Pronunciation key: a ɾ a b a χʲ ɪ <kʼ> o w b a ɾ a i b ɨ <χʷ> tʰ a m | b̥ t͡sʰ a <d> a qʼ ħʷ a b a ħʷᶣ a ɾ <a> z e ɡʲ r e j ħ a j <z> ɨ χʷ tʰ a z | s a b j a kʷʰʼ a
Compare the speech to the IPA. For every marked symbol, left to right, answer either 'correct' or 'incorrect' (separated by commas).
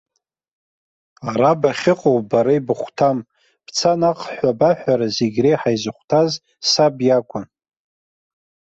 incorrect, correct, incorrect, correct, correct